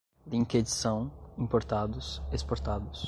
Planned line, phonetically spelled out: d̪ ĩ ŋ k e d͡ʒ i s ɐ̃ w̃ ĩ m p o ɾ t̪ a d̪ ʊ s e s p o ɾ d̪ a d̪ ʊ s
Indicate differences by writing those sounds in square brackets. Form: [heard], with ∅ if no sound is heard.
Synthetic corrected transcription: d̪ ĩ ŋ k e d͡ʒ i s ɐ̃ w̃ ĩ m p o ɾ t̪ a d̪ ʊ s e s p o ɾ [t̪] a d̪ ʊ s